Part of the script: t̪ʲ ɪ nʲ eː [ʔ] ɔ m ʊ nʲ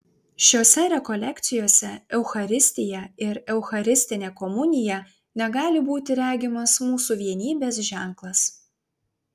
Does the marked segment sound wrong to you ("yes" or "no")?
yes